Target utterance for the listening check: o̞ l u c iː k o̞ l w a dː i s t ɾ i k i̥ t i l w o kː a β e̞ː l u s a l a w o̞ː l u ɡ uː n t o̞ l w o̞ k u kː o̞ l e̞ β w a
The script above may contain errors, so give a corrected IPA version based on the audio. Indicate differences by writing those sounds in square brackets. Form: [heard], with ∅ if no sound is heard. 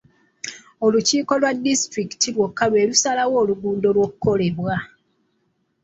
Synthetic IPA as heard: o̞ l u c iː k o̞ l w a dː i s t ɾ i k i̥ t i l w o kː a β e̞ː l u s a l a w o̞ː l u ɡ uː n [d] o̞ l w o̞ k u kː o̞ l e̞ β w a